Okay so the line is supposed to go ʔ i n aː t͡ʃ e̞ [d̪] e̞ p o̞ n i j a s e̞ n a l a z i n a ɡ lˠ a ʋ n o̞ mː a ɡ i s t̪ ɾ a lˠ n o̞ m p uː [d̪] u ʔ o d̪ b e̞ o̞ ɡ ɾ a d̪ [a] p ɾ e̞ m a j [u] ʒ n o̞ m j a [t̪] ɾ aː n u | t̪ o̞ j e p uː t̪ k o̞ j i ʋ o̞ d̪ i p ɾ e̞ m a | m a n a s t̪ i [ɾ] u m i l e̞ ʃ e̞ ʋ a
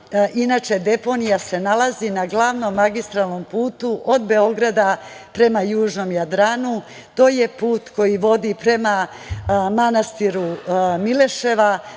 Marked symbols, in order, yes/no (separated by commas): yes, no, yes, no, no, yes